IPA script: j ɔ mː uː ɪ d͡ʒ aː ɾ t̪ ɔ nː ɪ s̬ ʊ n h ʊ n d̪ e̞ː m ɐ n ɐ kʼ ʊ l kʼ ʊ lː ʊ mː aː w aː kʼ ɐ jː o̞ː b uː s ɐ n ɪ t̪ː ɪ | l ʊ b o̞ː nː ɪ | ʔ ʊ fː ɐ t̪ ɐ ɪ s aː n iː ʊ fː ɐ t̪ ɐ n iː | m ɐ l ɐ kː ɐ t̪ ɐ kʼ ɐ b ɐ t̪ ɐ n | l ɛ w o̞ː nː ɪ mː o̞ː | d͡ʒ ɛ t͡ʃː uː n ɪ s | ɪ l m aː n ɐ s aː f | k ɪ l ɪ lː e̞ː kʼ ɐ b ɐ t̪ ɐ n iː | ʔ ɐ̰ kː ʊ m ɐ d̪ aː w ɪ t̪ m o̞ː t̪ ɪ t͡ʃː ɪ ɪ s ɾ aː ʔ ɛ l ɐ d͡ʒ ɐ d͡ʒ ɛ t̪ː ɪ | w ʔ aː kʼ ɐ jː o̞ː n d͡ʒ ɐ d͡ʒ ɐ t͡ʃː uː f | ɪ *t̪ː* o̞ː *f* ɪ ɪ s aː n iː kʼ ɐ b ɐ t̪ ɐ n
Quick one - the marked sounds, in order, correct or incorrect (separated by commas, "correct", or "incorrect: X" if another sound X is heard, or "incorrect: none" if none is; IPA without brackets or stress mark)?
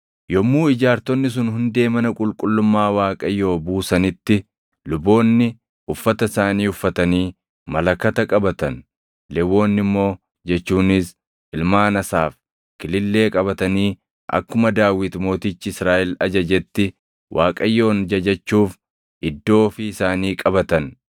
incorrect: d̪ː, correct